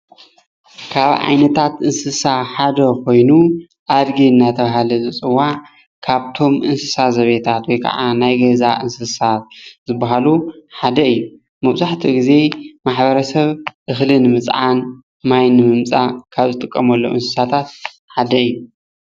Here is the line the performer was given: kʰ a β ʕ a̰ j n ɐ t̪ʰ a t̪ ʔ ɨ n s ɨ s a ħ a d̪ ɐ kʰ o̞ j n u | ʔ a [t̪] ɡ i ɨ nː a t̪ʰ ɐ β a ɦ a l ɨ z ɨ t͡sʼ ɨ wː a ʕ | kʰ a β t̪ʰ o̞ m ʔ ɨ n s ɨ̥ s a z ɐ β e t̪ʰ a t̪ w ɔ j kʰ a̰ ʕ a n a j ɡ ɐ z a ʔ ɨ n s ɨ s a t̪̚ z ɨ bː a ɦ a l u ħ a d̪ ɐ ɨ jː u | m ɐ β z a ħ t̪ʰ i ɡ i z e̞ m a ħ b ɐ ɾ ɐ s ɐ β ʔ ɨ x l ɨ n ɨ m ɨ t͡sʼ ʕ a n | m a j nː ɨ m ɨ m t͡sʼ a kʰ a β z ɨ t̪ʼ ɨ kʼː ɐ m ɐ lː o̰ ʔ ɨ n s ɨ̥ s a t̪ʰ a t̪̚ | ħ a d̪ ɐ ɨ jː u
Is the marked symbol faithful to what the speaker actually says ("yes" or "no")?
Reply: no